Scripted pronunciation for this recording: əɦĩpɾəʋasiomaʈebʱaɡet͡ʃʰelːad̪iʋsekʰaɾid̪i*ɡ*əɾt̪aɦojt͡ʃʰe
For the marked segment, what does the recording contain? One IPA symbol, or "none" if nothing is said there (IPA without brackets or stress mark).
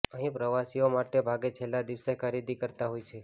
k